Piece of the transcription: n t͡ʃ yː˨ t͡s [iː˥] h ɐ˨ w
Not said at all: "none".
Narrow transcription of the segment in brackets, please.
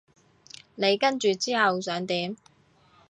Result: iː˥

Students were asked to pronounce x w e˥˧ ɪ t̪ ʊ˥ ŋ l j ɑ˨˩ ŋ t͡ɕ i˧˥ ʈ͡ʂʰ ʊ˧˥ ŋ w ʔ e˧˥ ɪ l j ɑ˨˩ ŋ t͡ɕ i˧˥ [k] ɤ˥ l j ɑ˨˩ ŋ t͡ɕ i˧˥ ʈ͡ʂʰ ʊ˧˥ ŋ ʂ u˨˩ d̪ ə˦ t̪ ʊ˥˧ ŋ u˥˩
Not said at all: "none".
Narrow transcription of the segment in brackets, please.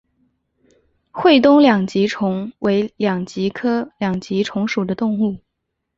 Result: kʰ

